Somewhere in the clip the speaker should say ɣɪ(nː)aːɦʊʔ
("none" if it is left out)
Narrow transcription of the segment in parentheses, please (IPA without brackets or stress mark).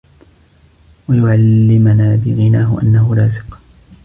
n